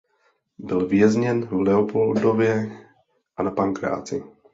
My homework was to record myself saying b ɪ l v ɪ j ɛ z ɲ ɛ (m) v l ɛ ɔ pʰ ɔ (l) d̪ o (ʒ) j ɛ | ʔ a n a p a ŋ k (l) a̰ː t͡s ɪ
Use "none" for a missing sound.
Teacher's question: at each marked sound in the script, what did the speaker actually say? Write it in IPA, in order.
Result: n, l, v, ɾ

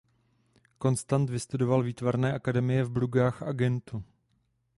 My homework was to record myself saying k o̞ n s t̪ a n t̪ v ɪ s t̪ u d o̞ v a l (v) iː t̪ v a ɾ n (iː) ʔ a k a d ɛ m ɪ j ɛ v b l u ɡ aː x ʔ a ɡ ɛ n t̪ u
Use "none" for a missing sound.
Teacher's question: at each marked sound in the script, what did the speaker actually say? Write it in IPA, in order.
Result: v, ɛː

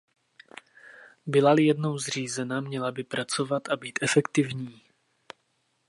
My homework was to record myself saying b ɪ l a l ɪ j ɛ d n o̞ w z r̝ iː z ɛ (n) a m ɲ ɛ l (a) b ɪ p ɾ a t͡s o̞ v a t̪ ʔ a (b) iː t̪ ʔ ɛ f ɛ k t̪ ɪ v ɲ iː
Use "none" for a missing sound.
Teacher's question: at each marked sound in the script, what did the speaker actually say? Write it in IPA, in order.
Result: n, a, b

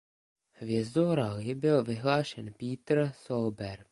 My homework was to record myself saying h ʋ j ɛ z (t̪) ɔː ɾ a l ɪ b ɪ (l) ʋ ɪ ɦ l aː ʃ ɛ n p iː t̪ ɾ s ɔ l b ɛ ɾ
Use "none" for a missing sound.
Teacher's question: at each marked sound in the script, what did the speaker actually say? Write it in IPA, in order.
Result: d̪, l

